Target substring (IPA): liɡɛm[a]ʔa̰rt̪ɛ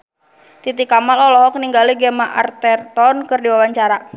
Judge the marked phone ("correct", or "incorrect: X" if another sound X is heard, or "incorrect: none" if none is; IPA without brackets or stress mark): correct